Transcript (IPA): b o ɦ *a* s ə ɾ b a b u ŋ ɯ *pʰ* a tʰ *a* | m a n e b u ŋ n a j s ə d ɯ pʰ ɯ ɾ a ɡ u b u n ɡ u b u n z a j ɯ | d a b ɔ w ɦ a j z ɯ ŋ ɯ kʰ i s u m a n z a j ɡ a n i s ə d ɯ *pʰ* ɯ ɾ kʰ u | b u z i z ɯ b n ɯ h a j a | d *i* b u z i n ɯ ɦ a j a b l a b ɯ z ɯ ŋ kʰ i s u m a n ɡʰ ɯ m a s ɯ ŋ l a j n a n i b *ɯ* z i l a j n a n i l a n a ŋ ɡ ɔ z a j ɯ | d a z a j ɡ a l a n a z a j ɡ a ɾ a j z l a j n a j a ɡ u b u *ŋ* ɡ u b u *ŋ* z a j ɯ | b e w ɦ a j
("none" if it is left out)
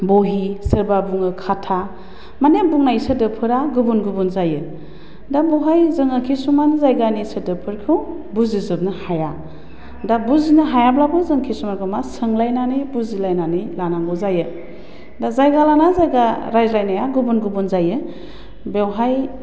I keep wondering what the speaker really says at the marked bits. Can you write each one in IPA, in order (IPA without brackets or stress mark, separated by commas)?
i, kʰ, a, pʰ, a, u, n, n